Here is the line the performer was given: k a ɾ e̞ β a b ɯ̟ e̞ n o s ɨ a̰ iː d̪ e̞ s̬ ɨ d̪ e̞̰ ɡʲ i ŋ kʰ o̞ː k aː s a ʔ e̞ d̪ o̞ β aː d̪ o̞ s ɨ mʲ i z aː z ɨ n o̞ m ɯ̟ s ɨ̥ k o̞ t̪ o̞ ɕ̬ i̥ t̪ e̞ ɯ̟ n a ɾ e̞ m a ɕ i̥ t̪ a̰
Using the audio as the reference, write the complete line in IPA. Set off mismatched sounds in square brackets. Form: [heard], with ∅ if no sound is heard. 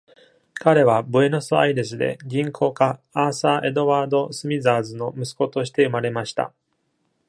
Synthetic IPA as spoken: k a ɾ e̞ β a b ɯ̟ e̞ n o s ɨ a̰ [i] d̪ e̞ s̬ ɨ d̪ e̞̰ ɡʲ [ĩ] ŋ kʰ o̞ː k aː s a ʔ e̞ d̪ o̞ β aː d̪ o̞ s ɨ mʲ i z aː z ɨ n o̞ m ɯ̟ s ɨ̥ k o̞ t̪ o̞ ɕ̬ i̥ t̪ e̞ ɯ̟ [m] a ɾ e̞ m a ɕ i̥ t̪ a̰